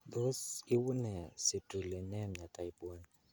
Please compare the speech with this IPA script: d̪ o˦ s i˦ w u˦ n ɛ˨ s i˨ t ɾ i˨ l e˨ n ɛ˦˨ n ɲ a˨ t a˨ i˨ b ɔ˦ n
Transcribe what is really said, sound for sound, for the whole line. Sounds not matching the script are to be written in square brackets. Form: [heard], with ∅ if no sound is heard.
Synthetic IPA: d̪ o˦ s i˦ w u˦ n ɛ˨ s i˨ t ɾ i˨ l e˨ n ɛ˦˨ [m] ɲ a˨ t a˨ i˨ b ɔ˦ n